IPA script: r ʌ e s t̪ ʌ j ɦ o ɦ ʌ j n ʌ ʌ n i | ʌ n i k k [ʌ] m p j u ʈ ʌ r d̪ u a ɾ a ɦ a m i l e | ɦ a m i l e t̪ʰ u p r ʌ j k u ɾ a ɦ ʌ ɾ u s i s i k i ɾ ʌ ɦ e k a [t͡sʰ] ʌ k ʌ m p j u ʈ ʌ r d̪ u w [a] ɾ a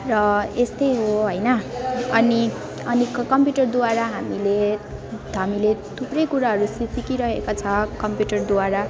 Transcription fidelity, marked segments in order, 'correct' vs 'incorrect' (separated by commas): correct, correct, correct